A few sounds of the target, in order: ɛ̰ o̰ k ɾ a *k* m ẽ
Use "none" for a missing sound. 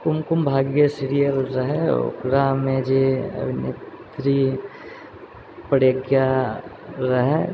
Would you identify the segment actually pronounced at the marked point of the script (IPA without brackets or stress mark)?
none